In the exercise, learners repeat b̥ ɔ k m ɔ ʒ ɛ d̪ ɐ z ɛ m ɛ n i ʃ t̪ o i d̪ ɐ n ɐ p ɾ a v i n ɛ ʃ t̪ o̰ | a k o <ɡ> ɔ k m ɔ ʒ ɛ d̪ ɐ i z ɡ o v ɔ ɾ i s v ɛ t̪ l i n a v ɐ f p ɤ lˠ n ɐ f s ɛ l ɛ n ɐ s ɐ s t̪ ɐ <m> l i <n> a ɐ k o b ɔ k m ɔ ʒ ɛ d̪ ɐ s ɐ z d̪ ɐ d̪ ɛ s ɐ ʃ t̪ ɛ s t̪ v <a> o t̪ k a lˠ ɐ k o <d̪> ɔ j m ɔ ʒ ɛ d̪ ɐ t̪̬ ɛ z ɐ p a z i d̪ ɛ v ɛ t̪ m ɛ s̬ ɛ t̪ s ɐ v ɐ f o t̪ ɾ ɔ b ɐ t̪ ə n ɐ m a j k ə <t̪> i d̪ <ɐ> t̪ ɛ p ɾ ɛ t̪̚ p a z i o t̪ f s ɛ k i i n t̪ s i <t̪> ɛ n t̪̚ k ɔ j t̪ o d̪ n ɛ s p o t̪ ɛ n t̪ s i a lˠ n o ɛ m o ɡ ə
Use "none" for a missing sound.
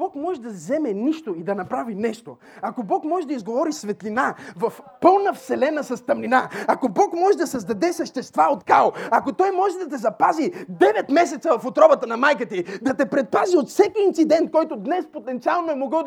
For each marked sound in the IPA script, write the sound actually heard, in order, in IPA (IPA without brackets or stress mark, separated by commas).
b, m, n, a, t̪, t̪, ɐ, d̪